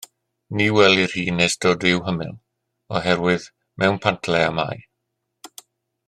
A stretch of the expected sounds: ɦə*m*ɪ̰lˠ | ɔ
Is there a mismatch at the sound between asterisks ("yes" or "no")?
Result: no